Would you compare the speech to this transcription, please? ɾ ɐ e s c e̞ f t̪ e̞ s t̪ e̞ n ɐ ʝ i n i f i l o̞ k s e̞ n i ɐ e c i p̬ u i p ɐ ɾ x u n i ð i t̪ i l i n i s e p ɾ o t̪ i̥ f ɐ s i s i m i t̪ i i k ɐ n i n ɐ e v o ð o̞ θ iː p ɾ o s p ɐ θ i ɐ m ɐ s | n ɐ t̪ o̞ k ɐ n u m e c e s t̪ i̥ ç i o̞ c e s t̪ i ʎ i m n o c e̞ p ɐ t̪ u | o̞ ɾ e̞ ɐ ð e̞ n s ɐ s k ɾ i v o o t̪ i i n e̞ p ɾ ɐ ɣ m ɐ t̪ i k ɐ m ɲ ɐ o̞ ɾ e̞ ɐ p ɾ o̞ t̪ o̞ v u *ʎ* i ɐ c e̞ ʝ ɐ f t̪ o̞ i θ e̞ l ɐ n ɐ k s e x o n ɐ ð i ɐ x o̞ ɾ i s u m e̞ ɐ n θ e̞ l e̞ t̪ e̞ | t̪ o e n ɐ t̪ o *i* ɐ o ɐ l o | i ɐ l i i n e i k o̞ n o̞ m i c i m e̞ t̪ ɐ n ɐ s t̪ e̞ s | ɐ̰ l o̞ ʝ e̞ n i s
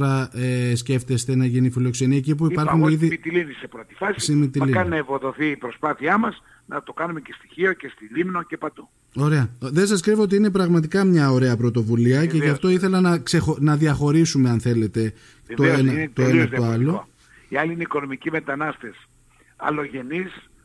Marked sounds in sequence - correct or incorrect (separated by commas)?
incorrect, incorrect